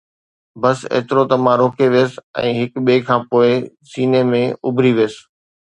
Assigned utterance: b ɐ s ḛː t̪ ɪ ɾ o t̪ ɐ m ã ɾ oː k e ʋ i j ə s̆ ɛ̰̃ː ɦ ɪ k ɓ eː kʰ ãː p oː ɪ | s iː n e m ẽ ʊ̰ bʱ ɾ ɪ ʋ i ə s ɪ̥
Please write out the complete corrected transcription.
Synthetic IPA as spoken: b ɐ s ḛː t̪ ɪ ɾ o t̪ ɐ m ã ɾ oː k e ʋ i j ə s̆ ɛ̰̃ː ɦ ɪ k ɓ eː kʰ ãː p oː ɪ | s iː n e m ẽ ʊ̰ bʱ ɾ i ʋ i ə s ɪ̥